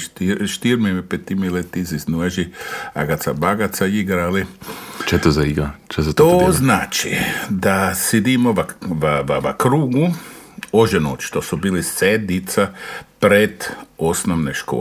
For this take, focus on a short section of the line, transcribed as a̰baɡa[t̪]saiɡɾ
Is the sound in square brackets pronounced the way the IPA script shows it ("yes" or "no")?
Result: yes